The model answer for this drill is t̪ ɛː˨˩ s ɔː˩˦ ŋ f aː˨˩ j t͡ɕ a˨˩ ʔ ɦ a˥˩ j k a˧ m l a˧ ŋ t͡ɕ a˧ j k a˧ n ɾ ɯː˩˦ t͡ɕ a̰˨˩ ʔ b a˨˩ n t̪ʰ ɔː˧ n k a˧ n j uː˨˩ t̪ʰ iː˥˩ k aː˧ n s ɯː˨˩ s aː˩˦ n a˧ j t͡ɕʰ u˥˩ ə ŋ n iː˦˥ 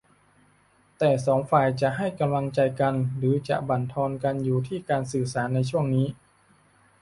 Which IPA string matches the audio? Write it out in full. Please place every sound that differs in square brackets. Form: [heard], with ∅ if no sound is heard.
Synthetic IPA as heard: t̪ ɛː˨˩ s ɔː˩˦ ŋ f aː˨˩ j t͡ɕ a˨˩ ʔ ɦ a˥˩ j k a˧ m l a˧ ŋ t͡ɕ a˧ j k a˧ n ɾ ɯː˩˦ t͡ɕ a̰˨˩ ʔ b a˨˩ n t̪ʰ ɔː˧ n k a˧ n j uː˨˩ t̪ʰ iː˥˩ k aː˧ n s ɯː˨˩ s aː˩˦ [nː] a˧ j t͡ɕʰ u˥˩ ə ŋ n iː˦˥